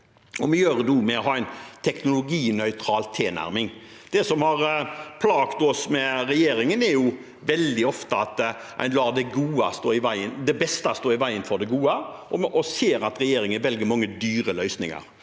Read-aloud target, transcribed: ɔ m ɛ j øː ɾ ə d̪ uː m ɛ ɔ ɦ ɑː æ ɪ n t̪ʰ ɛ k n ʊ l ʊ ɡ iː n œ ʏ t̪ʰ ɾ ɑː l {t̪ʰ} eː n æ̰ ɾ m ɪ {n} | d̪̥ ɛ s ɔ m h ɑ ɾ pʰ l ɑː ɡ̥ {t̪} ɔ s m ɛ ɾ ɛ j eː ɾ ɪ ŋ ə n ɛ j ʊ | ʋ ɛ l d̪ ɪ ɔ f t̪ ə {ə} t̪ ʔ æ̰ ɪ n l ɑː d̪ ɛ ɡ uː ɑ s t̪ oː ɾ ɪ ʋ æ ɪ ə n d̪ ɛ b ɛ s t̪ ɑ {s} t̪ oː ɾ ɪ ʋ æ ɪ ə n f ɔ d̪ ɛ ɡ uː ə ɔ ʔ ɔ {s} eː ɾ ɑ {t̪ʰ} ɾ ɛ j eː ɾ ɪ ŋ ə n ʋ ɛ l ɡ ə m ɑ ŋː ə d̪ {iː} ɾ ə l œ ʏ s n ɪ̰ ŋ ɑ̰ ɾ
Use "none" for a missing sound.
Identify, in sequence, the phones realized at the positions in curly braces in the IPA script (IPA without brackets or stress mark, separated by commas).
t̪ʰ, ŋ, t̪, ɑ, s, s, t̪, yː